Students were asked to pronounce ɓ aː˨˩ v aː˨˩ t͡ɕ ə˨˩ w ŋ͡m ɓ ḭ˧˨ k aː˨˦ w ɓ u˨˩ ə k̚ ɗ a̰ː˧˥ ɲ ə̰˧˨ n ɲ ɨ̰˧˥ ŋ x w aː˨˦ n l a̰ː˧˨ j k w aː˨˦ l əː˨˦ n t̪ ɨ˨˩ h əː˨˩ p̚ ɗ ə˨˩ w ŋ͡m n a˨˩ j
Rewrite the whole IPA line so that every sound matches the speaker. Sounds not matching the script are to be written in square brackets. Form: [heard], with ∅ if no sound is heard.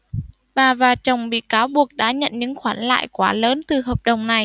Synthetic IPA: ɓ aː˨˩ v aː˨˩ t͡ɕ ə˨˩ w ŋ͡m ɓ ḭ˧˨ k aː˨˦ w ɓ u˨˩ ə k̚ ɗ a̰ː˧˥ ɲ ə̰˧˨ n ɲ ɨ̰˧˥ ŋ x w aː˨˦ n l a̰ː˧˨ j k w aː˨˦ l əː˨˦ n t̪ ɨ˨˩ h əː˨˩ p̚ ɗ ə˨˩ w ŋ͡m n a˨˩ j